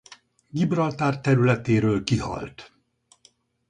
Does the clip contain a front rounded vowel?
yes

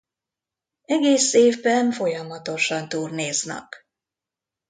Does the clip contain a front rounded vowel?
no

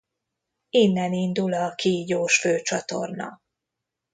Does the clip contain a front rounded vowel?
yes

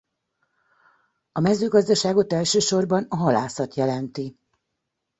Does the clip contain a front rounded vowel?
yes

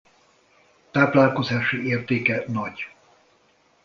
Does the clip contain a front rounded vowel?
no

